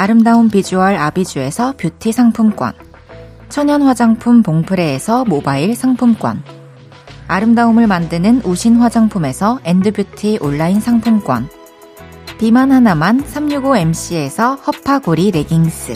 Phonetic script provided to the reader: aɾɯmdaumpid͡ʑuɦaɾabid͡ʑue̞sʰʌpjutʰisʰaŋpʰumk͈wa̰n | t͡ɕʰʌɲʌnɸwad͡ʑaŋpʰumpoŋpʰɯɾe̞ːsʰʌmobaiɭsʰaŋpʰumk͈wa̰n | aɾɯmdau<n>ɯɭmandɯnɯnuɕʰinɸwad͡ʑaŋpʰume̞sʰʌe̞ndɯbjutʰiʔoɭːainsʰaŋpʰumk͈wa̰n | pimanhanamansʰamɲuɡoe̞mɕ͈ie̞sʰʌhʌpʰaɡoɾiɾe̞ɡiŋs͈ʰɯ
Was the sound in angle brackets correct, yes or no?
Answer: no